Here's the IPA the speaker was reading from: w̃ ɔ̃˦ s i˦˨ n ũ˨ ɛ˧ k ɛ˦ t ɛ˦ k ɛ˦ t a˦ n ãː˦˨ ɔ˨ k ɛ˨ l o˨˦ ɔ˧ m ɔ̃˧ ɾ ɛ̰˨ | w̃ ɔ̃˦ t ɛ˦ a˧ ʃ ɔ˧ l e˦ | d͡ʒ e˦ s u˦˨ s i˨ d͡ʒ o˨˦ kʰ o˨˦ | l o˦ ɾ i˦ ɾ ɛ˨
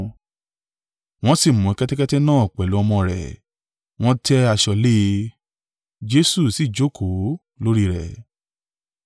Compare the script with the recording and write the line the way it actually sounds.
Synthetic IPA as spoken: w̃ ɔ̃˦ s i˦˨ m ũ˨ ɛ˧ k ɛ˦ t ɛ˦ k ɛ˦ t ɛ˦ n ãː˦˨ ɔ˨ k͡p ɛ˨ l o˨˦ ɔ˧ m ɔ̃˧ ɾ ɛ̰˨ | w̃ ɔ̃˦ t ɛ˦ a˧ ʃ ɔ˧ l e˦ | d͡ʒ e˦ s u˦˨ s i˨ d͡ʒ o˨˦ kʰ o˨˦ | l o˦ ɾ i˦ ɾ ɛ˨

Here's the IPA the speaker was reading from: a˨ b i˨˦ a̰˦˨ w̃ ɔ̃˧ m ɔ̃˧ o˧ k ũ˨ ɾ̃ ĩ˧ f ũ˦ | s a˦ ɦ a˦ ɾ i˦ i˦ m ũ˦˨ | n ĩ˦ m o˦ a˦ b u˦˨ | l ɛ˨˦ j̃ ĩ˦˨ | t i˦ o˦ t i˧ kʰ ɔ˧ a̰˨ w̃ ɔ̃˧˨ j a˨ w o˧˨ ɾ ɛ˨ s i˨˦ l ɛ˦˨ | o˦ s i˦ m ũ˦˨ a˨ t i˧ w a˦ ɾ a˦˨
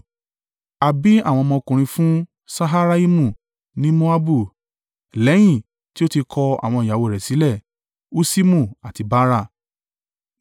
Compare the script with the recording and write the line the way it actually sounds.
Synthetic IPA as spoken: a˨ b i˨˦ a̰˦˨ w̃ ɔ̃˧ m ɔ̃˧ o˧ k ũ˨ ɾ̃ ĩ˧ f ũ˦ | s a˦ ɦ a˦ ɾ a˦ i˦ m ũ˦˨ | n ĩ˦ m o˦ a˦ b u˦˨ | l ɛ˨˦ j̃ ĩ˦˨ | t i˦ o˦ t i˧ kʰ ɔ˧ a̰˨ w̃ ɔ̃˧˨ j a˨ w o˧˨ ɾ ɛ˨ s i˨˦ l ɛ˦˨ | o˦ s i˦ m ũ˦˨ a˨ t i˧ b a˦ ɾ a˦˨

